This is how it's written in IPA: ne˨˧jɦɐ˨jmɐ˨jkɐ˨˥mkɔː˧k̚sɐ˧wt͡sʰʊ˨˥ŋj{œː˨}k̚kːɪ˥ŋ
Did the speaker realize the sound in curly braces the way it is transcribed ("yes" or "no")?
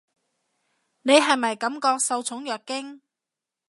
yes